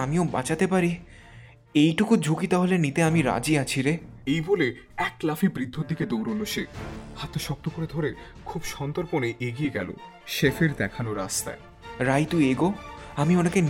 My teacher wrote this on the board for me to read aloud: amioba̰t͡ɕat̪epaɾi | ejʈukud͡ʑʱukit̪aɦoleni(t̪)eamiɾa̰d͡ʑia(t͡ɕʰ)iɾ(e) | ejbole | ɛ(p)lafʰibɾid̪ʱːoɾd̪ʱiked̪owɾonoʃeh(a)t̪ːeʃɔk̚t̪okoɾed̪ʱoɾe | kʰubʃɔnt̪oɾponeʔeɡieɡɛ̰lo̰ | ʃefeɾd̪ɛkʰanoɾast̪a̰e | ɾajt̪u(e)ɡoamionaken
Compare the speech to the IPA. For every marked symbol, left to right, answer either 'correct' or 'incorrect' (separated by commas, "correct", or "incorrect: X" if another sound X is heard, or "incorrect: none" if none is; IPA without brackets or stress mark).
correct, correct, correct, incorrect: k, correct, correct